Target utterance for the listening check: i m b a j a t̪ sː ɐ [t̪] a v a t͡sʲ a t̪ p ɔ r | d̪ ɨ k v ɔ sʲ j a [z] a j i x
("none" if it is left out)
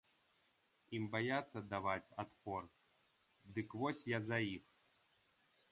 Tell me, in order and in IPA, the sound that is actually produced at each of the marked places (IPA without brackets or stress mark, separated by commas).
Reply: d̪, z